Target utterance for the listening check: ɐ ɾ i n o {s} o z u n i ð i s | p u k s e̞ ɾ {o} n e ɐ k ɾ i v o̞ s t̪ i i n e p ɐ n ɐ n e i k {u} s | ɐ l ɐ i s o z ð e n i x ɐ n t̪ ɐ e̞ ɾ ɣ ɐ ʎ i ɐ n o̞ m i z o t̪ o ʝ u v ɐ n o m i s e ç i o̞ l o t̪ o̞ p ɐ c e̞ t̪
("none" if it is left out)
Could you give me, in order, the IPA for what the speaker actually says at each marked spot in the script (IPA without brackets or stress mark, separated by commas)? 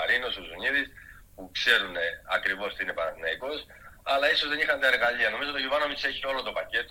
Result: s, u, o